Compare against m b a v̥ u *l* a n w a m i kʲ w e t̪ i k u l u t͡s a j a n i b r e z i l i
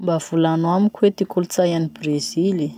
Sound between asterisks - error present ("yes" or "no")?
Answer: no